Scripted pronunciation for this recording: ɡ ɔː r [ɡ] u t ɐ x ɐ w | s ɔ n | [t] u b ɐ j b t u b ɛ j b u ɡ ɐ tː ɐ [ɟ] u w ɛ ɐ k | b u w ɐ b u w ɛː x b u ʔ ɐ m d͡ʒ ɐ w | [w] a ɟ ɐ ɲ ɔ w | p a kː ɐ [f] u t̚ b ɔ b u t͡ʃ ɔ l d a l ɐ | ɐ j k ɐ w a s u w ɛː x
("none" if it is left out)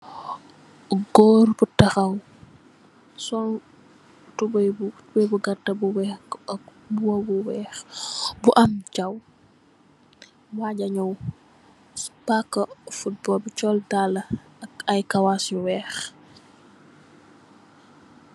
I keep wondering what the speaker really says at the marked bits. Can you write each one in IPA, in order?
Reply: b, t, b, w, f

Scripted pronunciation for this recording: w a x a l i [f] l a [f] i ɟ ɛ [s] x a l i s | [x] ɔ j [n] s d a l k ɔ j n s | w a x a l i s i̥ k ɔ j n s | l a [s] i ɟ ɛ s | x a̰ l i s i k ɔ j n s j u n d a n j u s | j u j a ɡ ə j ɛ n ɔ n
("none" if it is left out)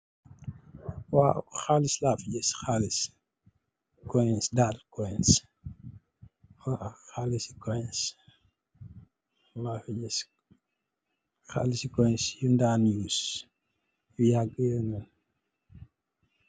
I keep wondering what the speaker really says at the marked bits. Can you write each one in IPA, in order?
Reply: s, f, s, k, n, f

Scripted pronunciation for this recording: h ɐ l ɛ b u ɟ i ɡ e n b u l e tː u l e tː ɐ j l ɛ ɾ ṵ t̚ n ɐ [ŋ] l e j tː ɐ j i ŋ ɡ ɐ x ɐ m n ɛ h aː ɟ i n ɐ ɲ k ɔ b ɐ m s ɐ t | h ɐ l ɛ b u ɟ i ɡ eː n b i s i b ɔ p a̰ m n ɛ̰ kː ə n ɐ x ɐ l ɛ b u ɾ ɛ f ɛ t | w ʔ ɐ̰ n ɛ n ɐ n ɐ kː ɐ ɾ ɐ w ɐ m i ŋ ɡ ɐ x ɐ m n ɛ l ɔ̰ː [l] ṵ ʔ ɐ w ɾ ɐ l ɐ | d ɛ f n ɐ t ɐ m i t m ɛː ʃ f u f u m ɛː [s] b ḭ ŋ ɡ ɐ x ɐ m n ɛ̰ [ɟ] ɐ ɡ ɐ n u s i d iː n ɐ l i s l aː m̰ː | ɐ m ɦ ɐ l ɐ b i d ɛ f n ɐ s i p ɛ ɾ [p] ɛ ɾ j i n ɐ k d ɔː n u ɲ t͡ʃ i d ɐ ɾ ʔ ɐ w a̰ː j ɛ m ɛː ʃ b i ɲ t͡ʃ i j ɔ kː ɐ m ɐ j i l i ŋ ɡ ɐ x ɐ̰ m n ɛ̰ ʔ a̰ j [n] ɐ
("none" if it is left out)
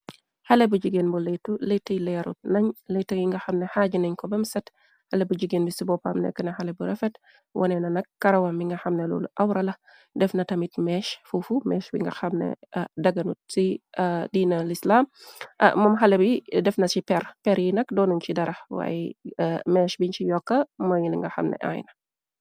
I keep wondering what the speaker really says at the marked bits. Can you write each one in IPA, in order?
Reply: ɲ, l, ʃ, d, p, n

